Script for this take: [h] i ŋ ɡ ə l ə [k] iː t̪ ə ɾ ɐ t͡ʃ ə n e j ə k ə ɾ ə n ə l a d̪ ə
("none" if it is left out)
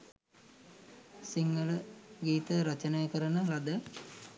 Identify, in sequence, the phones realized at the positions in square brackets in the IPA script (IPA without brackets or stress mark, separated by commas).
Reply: s, ɡ